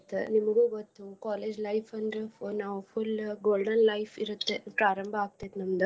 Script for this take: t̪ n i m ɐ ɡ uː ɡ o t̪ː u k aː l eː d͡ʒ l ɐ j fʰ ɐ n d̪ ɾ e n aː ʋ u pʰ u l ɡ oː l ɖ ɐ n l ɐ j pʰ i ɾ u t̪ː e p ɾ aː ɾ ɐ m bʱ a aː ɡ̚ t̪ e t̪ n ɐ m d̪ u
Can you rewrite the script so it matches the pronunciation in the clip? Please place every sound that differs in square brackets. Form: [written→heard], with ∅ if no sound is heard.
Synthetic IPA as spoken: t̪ n i m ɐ ɡ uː ɡ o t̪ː u k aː l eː d͡ʒ l ɐ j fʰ ɐ n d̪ ɾ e n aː ʋ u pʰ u l ɡ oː l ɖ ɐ n l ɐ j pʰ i ɾ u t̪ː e p ɾ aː ɾ ɐ m bʱ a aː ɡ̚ t̪ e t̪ n ɐ m d̪ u